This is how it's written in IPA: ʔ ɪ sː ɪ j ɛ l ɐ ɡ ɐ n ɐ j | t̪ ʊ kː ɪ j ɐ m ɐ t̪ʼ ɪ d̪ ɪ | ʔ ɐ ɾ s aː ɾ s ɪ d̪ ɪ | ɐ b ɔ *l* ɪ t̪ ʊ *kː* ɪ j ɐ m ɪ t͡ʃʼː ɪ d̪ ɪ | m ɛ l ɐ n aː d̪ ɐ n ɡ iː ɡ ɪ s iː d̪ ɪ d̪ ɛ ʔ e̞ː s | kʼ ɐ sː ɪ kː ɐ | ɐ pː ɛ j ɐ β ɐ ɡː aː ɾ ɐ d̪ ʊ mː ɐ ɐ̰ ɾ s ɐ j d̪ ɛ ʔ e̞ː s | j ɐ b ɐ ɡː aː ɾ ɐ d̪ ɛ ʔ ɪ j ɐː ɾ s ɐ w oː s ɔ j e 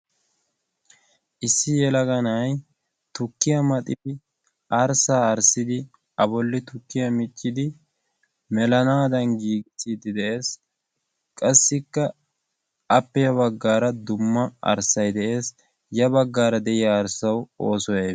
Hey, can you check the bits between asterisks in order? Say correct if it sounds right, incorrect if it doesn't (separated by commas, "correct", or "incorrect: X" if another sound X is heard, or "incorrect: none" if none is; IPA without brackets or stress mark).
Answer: incorrect: lː, correct